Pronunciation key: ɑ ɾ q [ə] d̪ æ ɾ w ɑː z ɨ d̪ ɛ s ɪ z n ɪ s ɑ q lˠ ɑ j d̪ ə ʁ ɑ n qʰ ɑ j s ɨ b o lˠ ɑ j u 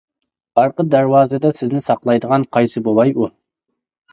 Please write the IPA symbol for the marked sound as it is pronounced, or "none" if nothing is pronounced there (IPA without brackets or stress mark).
ə